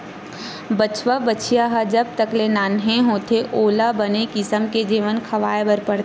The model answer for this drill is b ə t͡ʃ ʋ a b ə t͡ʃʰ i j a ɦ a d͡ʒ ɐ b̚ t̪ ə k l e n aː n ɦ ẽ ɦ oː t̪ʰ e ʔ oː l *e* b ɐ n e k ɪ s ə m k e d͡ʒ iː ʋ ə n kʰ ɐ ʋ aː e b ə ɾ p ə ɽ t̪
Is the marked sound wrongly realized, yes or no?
yes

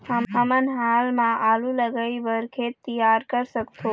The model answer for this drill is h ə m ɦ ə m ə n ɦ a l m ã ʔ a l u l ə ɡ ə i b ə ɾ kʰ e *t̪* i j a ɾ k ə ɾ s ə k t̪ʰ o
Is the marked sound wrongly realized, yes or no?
no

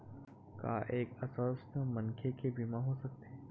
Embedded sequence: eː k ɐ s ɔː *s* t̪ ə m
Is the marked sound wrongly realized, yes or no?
no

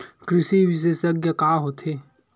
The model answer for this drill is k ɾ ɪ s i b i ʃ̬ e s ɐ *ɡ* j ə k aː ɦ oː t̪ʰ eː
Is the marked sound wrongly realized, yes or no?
no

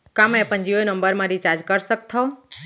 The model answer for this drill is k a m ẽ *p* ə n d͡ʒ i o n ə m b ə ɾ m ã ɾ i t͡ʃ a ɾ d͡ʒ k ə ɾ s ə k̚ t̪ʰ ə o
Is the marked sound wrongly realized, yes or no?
no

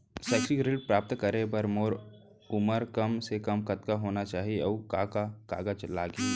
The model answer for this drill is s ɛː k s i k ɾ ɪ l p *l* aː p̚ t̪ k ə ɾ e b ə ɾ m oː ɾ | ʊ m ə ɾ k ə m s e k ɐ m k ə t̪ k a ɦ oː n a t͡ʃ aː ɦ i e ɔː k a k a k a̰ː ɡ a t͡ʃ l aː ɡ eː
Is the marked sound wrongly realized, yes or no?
yes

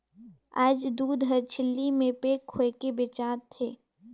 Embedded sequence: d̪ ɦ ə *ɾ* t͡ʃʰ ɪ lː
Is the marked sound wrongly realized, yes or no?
no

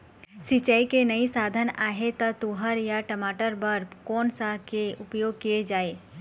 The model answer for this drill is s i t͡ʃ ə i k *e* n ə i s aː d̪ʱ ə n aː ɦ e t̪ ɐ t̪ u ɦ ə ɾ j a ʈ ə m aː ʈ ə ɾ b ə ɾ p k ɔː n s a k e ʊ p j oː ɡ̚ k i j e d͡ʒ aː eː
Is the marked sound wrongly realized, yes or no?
no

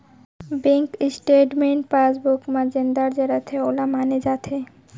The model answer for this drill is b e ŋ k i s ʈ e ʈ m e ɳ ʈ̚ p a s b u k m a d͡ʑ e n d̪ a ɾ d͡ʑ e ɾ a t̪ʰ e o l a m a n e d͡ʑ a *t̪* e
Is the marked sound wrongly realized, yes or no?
yes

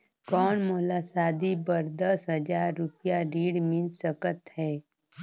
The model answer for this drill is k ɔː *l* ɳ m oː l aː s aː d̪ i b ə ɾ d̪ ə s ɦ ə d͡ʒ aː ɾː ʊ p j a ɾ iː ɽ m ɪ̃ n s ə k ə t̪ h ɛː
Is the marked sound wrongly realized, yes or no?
yes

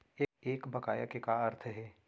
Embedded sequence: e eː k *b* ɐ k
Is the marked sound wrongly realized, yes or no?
no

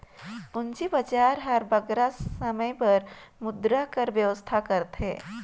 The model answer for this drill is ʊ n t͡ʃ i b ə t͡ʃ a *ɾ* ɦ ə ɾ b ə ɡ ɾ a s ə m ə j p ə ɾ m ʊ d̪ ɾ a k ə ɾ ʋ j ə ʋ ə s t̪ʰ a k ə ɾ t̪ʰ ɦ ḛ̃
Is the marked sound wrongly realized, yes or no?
no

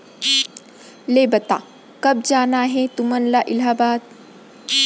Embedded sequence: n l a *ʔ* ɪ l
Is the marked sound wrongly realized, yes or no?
no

